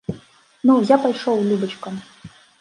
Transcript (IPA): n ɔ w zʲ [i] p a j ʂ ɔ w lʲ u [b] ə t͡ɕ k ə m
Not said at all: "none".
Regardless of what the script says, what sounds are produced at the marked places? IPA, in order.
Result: a, b

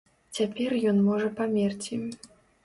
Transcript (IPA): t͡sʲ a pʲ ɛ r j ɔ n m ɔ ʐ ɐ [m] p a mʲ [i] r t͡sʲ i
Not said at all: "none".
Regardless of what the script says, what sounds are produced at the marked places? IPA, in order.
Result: none, ɛ

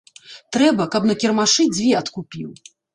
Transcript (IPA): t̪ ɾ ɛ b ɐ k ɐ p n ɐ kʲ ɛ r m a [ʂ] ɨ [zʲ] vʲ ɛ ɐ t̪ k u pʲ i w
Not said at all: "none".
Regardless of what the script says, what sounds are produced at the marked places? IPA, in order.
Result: ʂ, d͡zʲ

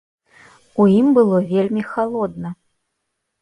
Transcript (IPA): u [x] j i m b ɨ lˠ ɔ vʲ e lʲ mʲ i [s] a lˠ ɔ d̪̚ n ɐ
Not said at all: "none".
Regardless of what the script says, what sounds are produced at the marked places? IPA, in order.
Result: none, x

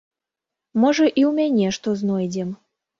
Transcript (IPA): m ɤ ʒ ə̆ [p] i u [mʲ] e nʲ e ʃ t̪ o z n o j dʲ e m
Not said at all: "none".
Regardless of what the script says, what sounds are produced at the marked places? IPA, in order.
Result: ʔ, mʲ

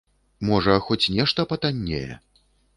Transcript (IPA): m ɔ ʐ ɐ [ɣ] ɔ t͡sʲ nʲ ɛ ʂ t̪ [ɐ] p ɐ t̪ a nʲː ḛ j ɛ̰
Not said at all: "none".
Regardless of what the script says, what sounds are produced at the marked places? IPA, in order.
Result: x, ɐ

